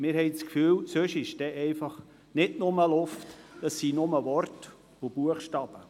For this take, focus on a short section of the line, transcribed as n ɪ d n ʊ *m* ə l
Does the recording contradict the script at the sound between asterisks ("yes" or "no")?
no